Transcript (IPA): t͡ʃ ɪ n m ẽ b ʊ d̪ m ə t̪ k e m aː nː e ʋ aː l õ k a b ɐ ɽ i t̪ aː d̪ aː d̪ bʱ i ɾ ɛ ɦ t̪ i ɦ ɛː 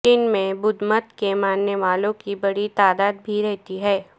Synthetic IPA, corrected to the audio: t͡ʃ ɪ n m ẽ b ʊ d̪ m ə t̪ k e m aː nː e ʋ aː l õ k i b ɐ ɽ i t̪ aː d̪ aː d̪ bʱ i ɾ ɛ ɦ t̪ i ɦ ɛː